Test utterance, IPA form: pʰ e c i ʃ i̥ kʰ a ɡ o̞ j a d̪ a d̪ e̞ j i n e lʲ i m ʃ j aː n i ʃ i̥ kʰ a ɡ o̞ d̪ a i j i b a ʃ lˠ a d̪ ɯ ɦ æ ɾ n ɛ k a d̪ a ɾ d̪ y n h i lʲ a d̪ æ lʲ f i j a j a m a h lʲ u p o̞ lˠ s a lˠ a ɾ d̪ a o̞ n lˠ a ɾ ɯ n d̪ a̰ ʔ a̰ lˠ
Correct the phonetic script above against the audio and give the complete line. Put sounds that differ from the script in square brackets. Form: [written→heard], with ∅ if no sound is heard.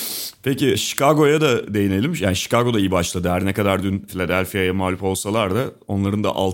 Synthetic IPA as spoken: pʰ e c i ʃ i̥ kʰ a ɡ o̞ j a d̪ a d̪ e̞ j i n e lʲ i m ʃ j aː n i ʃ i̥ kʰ a ɡ o̞ d̪ a i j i b a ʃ lˠ a d̪ ɯ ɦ æ ɾ n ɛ k a d̪ a ɾ d̪ y n [h→f] i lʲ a d̪ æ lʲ f i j a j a m a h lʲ u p o̞ lˠ s a lˠ a ɾ d̪ a o̞ n lˠ a ɾ ɯ n d̪ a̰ ʔ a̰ lˠ